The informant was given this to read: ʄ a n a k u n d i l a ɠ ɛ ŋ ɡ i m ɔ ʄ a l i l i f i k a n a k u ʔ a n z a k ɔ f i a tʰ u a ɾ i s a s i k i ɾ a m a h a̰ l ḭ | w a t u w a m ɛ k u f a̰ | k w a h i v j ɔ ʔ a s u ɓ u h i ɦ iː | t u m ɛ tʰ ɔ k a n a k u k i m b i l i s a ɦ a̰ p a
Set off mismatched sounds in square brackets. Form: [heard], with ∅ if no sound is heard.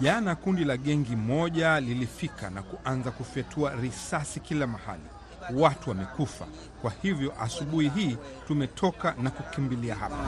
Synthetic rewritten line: ʄ a n a k u n d i l a ɠ ɛ ŋ ɡ i m ɔ ʄ a l i l i f i k a n a k u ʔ a n z a k [u] f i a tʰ u a ɾ i s a s i k i [l] a m a h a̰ l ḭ | w a t u w a m ɛ k u f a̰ | k w a h i v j ɔ ʔ a s u ɓ u h i ɦ iː | t u m ɛ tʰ ɔ k a n a k u k i m b i l i [∅] a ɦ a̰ p a